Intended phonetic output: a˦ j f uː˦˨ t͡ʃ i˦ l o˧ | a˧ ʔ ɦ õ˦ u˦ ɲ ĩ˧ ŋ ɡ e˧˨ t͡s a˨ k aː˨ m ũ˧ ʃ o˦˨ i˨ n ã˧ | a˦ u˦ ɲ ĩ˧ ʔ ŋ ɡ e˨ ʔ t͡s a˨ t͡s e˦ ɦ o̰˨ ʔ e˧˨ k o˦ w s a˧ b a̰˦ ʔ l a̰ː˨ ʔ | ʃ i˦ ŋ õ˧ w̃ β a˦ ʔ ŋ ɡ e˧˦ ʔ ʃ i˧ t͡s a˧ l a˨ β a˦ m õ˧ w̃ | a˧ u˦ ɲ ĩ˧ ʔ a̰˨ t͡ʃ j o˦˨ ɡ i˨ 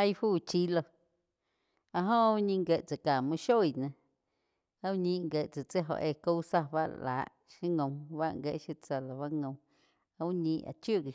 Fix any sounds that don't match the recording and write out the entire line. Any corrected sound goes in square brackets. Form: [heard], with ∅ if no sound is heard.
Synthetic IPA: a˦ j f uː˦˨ t͡ʃ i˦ l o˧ | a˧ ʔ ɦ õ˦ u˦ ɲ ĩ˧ ŋ ɡ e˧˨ t͡s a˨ k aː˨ m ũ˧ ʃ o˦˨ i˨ n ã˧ | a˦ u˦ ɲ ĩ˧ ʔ ŋ ɡ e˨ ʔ t͡s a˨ t͡s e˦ ɦ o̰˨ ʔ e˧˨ k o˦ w s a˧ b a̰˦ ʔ l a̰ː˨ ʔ | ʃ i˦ ŋ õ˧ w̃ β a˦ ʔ ŋ ɡ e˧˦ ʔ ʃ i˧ t͡s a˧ l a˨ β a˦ [ŋ] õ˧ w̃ | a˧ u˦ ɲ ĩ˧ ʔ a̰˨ t͡ʃ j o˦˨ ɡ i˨